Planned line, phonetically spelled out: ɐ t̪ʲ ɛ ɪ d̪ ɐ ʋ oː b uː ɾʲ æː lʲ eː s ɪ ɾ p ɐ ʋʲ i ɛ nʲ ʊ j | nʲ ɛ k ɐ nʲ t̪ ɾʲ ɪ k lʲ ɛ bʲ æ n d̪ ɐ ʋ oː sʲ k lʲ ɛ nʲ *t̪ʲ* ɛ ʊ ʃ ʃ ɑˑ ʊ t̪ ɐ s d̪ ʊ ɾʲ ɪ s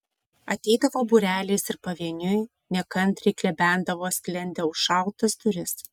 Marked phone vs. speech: incorrect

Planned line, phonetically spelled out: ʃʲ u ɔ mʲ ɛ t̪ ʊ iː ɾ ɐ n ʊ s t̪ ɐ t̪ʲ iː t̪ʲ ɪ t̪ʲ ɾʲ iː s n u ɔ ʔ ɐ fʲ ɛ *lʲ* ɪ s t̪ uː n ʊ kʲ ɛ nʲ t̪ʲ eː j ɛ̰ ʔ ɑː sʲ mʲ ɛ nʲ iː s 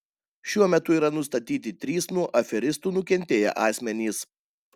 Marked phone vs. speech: incorrect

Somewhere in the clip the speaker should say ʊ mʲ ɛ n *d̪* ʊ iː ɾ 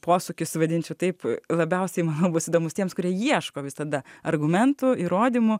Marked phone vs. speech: incorrect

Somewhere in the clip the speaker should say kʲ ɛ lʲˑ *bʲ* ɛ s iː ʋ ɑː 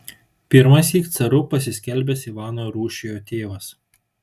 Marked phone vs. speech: correct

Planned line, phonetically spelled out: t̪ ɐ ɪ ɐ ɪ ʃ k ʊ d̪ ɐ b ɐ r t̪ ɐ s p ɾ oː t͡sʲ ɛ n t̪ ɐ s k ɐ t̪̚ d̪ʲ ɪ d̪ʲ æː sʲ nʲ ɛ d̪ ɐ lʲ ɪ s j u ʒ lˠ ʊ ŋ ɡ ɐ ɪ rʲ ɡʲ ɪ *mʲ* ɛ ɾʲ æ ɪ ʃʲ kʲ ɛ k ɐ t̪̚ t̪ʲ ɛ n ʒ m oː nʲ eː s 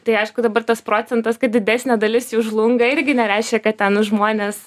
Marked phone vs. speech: incorrect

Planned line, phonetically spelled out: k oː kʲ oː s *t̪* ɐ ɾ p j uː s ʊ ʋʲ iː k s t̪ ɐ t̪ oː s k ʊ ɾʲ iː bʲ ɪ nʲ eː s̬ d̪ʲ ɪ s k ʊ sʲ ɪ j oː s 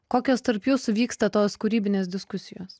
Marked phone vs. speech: correct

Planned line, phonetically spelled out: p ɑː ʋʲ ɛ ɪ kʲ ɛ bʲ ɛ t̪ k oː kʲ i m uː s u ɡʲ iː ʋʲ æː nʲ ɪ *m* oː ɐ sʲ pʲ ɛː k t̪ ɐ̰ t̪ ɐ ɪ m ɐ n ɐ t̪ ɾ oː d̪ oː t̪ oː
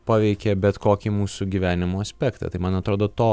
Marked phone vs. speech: correct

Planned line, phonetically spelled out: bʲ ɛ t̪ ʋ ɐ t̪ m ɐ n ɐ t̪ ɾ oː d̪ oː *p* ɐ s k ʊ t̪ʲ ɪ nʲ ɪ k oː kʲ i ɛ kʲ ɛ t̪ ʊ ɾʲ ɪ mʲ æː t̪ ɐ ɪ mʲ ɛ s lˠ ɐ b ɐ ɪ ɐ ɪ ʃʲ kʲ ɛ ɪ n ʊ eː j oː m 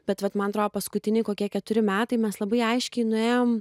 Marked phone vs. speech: correct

